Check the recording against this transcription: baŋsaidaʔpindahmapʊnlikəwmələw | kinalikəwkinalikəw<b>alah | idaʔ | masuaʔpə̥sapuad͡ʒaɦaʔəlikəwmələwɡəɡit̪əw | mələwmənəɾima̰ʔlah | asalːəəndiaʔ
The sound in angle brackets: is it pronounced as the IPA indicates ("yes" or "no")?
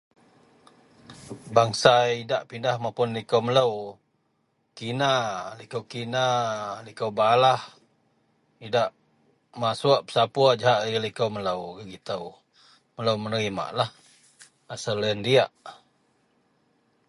yes